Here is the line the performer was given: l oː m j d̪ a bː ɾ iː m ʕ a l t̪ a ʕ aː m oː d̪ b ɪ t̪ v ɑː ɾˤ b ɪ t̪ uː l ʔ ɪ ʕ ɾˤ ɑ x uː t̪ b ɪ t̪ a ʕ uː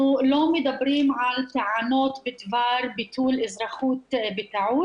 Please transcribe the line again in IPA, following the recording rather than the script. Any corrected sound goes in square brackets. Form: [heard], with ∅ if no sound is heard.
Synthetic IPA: l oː m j d̪ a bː ɾ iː m ʕ a l t̪ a ʕ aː [n] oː [t̪] b ɪ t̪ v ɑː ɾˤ b ɪ t̪ uː l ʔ ɪ [z] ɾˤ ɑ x uː t̪ b ɪ t̪ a ʕ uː